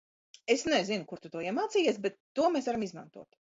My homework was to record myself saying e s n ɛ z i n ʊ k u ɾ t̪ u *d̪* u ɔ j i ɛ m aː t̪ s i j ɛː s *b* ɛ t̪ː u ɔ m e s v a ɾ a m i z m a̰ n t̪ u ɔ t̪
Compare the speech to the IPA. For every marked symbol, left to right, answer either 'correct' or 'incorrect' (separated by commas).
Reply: incorrect, correct